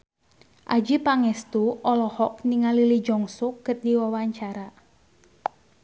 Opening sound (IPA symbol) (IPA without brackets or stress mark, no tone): ʔ